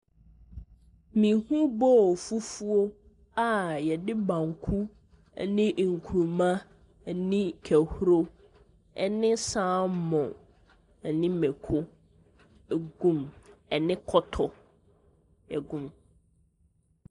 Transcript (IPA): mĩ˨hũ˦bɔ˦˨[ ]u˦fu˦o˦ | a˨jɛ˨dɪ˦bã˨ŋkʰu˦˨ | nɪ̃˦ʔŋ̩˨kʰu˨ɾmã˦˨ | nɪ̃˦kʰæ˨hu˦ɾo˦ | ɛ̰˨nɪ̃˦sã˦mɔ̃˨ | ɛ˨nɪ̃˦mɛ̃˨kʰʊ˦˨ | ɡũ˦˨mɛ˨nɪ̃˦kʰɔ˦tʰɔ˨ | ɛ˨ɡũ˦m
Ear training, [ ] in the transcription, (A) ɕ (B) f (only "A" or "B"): B